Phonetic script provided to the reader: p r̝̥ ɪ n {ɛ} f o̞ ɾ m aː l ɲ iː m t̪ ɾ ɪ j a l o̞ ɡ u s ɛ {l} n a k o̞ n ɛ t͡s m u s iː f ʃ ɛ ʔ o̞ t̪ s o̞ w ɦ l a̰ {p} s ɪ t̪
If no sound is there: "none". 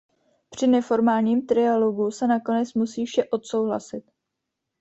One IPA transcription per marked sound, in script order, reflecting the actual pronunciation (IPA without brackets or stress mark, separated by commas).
ɛ, none, none